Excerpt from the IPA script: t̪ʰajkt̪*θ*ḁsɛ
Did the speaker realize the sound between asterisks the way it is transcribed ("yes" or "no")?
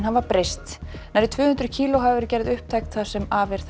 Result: yes